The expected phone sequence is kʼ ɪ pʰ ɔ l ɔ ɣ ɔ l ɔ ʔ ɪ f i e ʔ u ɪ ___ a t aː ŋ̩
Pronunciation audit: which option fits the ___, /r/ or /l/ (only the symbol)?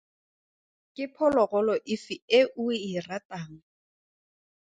r